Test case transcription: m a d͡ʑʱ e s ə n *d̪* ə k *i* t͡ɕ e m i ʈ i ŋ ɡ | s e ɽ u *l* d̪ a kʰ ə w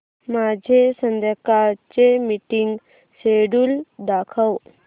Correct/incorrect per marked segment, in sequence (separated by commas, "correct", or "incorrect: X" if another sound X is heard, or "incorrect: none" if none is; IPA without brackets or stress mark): correct, incorrect: a, correct